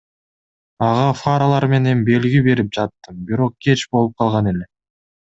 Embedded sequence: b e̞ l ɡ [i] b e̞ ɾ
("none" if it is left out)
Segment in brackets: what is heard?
i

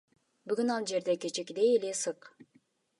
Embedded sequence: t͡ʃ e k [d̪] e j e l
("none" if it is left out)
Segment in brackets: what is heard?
d̪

